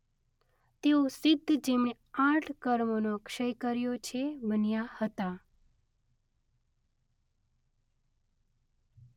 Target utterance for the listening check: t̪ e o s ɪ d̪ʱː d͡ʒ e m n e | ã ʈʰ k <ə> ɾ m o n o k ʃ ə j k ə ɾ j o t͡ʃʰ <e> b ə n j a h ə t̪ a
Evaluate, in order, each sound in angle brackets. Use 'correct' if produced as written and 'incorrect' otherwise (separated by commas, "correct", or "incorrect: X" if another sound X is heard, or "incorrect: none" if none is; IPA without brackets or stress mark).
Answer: correct, correct